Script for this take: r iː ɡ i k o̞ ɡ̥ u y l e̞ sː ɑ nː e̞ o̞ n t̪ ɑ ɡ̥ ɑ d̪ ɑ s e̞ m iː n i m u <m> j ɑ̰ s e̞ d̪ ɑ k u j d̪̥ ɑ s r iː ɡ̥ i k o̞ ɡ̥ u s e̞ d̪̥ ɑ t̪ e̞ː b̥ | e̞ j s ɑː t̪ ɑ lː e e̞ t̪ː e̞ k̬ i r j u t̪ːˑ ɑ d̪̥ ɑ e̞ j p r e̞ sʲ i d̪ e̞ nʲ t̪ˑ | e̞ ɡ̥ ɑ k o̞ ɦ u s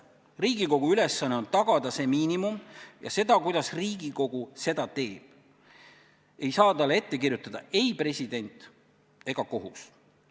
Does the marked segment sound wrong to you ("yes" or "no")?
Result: no